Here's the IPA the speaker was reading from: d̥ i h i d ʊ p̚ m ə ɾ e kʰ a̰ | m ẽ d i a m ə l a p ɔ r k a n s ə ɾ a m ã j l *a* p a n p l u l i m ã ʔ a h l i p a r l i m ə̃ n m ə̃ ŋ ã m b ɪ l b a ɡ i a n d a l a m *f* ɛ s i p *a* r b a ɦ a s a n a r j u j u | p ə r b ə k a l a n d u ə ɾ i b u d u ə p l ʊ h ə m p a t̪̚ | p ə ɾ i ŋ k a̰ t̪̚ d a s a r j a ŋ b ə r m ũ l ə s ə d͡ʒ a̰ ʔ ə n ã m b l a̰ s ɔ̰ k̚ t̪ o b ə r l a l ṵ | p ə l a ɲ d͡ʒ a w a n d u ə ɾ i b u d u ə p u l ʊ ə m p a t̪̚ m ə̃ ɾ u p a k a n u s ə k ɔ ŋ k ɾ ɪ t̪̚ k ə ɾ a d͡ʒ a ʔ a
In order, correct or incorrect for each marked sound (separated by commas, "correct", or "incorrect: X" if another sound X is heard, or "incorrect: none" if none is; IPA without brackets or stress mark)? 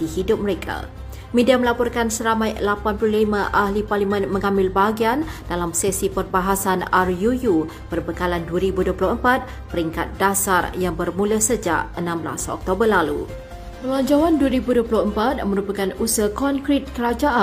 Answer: correct, incorrect: s, incorrect: ə